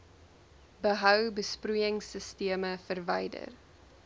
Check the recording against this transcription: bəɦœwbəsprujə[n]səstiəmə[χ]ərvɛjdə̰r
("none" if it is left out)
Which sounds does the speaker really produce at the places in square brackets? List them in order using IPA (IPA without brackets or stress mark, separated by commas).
ŋ, f